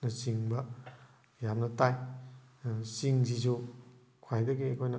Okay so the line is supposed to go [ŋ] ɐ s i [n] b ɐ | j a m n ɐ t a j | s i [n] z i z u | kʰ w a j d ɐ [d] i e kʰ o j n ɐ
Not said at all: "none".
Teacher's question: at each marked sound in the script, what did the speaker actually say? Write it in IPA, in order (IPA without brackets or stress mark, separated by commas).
n, ŋ, ŋ, ɡ